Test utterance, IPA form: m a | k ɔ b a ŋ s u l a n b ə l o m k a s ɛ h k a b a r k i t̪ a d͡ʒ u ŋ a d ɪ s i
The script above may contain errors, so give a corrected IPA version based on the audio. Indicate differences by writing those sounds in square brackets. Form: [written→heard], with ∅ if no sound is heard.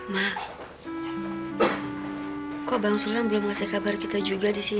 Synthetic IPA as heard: m a | k ɔ b a ŋ s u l a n b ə l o m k a s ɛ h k a b a r k i t̪ a d͡ʒ u [ŋ→ɡ] a d [ɪ→i] s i